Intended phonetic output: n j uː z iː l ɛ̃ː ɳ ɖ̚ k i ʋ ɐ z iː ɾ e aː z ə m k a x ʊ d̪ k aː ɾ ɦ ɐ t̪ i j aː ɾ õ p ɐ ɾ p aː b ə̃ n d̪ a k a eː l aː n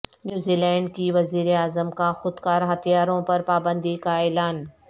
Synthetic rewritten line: n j uː z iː l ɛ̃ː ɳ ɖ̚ k i ʋ ɐ z iː ɾ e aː z ə m k a x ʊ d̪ k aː ɾ ɦ ɐ t̪ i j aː ɾ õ p ɐ ɾ p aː b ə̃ n d̪ i k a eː l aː n